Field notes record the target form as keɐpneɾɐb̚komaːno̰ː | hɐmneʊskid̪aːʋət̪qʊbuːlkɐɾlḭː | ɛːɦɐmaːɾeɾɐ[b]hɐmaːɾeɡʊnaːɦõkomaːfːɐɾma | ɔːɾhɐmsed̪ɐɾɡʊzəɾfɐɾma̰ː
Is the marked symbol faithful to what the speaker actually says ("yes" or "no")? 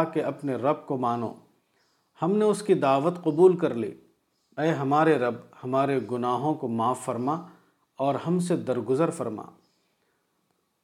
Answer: yes